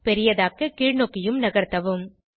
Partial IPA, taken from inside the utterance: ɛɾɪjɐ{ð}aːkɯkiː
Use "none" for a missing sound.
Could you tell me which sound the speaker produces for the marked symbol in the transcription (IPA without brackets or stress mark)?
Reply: ð